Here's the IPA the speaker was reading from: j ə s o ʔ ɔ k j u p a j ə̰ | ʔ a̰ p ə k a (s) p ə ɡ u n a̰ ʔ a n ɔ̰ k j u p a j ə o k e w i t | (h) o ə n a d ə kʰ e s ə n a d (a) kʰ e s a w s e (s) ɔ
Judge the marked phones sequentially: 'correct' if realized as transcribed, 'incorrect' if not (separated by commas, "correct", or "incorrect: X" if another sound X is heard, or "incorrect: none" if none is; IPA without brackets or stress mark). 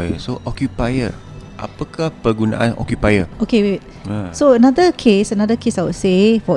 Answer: incorrect: h, incorrect: s, incorrect: ə, incorrect: f